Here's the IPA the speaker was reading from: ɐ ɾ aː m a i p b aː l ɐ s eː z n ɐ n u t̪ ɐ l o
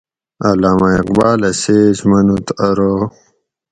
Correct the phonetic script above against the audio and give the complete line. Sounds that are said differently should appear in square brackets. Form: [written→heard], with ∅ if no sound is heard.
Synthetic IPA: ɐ [ɾ→l] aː m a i [p→q] b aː l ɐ s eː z [n→m] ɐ n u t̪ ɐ [l→ɾ] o